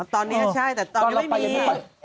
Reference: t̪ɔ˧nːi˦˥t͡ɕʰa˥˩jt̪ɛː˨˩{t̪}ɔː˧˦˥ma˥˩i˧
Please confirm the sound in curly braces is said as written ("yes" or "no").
yes